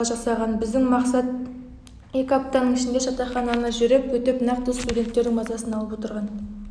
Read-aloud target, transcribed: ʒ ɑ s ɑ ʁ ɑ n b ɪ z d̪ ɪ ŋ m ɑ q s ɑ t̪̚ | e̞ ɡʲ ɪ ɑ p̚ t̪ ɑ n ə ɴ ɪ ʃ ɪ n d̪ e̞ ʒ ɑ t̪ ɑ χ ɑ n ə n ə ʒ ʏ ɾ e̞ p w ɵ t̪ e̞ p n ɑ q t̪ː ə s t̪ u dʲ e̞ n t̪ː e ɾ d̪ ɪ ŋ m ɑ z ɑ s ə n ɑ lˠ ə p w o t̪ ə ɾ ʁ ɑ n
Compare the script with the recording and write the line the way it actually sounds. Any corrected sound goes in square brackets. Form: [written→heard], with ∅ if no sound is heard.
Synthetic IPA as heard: ʒ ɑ s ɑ ʁ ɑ n b ɪ z d̪ ɪ ŋ m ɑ q s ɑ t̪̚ | e̞ [ɡʲ→kʲ] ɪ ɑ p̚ t̪ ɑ n ə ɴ ɪ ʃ ɪ n d̪ e̞ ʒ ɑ t̪ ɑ χ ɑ n [ə→ɑ] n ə ʒ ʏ ɾ e̞ p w ɵ t̪ e̞ p n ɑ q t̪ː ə s t̪ u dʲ e̞ n t̪ː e ɾ d̪ ɪ ŋ m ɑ z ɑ s ə n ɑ lˠ ə p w o t̪ ə ɾ ʁ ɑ n